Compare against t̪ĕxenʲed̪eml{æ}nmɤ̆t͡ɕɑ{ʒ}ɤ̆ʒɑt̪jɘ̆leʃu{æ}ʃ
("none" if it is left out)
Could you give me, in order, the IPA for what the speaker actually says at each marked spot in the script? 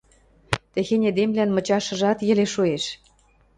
æ, ʃ, e

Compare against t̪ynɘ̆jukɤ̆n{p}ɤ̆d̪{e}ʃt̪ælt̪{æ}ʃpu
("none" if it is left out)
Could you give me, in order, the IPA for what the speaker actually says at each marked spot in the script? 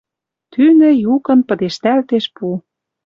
p, e, e

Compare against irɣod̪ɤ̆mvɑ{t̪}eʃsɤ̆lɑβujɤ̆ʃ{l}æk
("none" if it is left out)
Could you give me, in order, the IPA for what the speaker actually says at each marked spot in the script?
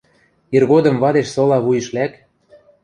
d̪, l

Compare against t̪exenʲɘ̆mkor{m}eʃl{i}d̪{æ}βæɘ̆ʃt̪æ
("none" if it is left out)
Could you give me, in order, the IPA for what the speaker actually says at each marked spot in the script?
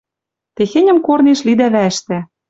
n, i, æ

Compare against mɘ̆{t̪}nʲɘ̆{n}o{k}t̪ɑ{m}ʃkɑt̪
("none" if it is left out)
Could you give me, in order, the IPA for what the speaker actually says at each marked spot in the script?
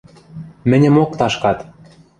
none, m, k, none

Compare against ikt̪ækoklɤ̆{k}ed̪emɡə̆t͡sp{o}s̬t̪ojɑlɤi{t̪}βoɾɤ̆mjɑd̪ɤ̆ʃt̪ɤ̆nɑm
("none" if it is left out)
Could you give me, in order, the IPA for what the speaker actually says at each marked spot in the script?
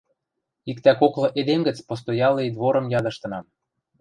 ʔ, o, d̪

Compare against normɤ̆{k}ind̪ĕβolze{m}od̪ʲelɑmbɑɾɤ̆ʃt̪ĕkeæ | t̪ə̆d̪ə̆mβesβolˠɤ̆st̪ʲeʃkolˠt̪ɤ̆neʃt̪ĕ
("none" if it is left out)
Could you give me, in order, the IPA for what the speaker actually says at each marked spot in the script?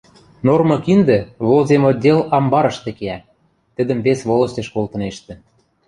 k, m

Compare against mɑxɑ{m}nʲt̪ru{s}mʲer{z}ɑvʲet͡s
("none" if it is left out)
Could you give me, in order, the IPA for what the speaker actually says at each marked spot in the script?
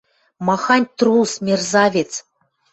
none, s, z

